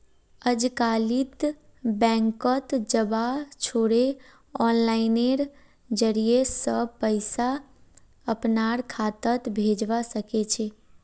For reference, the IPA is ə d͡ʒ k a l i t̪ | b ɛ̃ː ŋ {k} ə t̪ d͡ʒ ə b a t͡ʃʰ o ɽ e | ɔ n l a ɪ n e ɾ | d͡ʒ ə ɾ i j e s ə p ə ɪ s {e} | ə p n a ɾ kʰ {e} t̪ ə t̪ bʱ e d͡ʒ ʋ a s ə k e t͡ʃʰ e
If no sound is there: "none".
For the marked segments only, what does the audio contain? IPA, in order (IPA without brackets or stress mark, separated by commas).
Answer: k, a, a